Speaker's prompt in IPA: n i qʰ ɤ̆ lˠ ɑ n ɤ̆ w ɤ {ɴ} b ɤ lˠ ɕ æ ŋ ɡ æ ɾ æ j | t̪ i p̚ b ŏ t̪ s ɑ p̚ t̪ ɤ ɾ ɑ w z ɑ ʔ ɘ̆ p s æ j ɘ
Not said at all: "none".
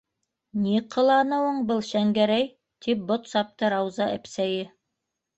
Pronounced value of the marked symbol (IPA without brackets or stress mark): ɴ